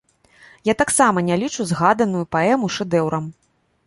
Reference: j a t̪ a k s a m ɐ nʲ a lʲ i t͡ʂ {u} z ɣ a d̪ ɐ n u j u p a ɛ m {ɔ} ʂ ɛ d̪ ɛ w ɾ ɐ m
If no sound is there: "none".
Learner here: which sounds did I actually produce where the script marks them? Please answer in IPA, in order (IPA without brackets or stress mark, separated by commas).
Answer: u, u